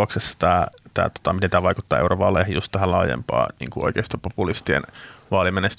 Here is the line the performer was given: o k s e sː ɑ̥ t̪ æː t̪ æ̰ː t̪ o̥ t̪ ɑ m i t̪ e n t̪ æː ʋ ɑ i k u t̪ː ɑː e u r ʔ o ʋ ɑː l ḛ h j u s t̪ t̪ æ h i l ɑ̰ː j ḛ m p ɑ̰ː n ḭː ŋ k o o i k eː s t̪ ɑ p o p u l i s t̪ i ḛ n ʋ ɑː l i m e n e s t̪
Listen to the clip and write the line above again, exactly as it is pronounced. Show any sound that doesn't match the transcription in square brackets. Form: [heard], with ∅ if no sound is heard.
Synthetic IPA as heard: o k s e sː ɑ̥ t̪ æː t̪ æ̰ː t̪ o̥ t̪ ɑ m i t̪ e n t̪ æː ʋ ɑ i k u t̪ː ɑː e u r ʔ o ʋ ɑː l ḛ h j u s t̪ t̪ æ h [æ] l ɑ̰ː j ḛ m p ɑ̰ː n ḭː ŋ k [u] o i k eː s t̪ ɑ p o p u l i s t̪ i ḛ n ʋ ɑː l i m e n e s t̪